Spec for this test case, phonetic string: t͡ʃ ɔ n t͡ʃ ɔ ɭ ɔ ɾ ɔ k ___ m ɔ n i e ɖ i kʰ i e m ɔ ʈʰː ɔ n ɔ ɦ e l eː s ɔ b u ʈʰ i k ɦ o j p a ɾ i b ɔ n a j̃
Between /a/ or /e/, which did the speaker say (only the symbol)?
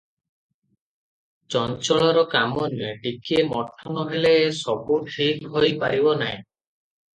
a